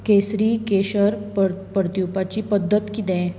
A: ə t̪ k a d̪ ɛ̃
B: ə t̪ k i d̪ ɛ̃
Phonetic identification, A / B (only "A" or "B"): B